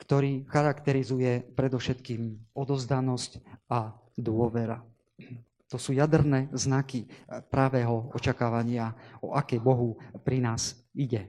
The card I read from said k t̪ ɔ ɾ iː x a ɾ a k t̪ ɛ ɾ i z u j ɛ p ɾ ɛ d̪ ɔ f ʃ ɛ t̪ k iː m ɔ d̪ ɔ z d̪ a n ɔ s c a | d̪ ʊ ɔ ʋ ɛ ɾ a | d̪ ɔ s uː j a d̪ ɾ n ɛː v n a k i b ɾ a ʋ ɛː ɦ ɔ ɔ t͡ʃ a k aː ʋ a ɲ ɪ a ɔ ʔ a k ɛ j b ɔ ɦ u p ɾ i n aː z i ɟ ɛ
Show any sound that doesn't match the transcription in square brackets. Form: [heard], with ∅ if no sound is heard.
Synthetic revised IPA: k t̪ ɔ ɾ iː x a ɾ a k t̪ ɛ ɾ i z u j ɛ p ɾ ɛ d̪ ɔ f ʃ ɛ t̪ k iː m ɔ d̪ ɔ z d̪ a n ɔ s c a | d̪ ʊ ɔ ʋ ɛ ɾ a | [t̪] ɔ s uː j a d̪ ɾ n ɛː [z] n a k i [p] ɾ a ʋ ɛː ɦ ɔ ɔ t͡ʃ a k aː ʋ a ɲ ɪ a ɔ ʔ a k ɛ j b ɔ ɦ u p ɾ i n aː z i ɟ ɛ